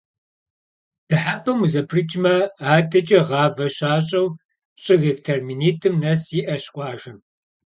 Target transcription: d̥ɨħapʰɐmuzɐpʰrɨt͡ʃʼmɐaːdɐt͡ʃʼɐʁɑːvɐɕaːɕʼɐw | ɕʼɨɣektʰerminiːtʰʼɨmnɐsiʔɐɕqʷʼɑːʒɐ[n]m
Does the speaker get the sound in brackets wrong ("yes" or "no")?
yes